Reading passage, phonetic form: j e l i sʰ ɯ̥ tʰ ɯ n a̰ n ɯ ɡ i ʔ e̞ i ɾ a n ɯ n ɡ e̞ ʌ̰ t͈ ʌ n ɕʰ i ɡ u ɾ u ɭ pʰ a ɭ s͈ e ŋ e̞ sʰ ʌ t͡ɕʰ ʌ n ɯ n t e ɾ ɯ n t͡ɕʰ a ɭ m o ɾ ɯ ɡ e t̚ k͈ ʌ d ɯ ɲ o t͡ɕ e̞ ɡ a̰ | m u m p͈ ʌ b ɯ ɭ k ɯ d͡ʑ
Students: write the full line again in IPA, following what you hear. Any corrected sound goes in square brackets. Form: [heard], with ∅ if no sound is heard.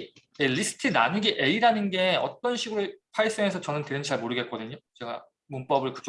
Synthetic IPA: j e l i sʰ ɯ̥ tʰ ɯ n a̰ n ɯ ɡ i ʔ e̞ i ɾ a n ɯ n ɡ e̞ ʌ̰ t͈ ʌ n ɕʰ i ɡ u ɾ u ɭ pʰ a ɭ s͈ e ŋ e̞ sʰ ʌ [t͡ɕ] ʌ n ɯ n t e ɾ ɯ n [t͡ɕ] a ɭ m o ɾ ɯ ɡ e t̚ k͈ ʌ d ɯ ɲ o t͡ɕ e̞ ɡ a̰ | m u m p͈ ʌ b ɯ ɭ k ɯ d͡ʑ